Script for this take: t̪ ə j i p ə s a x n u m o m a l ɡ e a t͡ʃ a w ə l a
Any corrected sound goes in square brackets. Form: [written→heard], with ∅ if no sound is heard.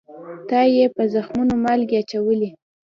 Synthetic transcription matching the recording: t̪ [ə→ɑ] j [i→e] p ə [s→z] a x [n→m] u [m→n] o m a l ɡ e a t͡ʃ a w ə l [a→i]